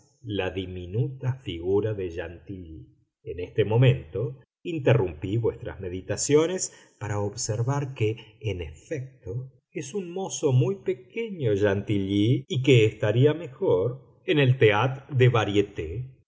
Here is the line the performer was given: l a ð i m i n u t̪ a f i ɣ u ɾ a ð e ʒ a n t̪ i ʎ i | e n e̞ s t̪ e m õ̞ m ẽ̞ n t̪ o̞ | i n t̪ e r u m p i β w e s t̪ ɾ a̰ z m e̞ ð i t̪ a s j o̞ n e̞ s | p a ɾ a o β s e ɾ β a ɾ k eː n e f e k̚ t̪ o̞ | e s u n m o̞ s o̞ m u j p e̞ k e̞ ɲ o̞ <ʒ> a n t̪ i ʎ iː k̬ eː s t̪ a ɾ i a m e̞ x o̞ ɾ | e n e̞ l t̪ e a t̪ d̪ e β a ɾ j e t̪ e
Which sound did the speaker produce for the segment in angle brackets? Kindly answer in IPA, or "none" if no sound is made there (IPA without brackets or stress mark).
ʒ